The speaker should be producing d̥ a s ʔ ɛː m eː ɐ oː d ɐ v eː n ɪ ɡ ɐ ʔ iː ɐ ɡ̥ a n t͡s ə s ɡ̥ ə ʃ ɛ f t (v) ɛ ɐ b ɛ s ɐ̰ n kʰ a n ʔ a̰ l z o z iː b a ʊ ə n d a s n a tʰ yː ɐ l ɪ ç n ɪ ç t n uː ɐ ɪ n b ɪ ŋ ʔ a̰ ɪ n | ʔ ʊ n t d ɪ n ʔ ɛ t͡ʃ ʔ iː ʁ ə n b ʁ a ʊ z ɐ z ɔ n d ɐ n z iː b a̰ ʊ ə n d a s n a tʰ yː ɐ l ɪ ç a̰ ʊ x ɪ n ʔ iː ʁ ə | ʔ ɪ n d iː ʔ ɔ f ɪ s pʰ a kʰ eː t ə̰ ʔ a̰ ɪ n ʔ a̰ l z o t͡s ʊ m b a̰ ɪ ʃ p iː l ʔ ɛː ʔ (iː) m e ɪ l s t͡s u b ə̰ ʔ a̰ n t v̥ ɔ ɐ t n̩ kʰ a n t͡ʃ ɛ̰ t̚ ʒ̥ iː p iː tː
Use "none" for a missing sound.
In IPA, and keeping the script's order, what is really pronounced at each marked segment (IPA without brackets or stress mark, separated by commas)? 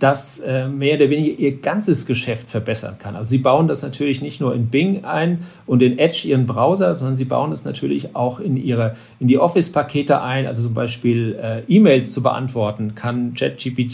f, iː